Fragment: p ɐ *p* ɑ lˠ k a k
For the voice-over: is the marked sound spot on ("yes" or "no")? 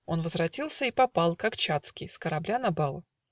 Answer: yes